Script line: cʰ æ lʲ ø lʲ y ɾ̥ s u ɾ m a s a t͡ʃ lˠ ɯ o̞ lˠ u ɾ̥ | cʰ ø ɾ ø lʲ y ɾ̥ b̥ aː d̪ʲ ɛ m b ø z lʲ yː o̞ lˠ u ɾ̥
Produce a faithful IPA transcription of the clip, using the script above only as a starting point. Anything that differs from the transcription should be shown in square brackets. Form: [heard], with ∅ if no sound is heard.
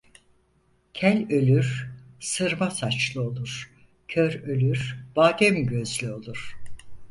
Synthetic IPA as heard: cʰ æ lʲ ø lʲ y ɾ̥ s [ɯ] ɾ m a s a t͡ʃ lˠ ɯ o̞ lˠ u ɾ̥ | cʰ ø ɾ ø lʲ y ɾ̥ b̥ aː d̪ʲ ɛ m [ɟ] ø z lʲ [y] o̞ lˠ u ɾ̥